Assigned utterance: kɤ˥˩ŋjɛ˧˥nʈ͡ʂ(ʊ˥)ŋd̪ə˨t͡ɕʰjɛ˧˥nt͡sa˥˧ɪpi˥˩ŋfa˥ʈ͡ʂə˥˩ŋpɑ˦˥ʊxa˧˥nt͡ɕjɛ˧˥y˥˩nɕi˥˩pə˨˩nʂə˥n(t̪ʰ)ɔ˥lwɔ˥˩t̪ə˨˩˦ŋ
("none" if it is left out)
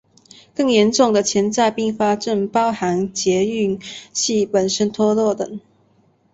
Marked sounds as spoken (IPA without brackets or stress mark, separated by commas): ʊ˥˩, t̪ʰ